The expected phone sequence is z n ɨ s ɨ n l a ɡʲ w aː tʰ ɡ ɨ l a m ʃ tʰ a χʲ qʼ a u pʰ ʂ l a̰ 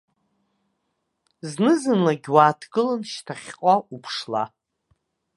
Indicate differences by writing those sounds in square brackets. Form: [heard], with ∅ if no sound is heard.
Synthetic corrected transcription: z n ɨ [z] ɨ n l a ɡʲ w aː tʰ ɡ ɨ l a [n] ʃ tʰ a χʲ qʼ a u pʰ ʂ l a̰